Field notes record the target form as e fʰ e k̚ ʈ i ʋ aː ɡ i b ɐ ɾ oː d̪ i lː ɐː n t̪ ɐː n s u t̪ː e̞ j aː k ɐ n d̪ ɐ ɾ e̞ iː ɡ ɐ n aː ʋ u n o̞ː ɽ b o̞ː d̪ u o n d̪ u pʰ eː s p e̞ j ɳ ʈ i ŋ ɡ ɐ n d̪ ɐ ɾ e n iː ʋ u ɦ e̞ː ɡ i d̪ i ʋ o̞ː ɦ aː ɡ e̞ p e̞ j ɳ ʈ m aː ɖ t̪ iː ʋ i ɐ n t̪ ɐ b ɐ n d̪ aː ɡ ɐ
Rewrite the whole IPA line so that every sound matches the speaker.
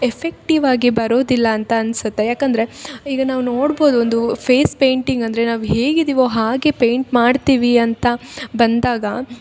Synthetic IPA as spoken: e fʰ e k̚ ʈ i ʋ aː ɡ i b ɐ ɾ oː d̪ i lː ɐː n t̪ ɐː n s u t̪ː e̞ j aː k ɐ n d̪ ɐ ɾ e̞ iː ɡ ɐ n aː ʋ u n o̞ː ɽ b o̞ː d̪ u o n d̪ u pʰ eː s p e̞ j ɳ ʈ i ŋ ɡ ɐ n d̪ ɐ ɾ e n aː ʋ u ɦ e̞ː ɡ i d̪ i ʋ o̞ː ɦ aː ɡ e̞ p e̞ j ɳ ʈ m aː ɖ t̪ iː ʋ i ɐ n t̪ ɐ b ɐ n d̪ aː ɡ ɐ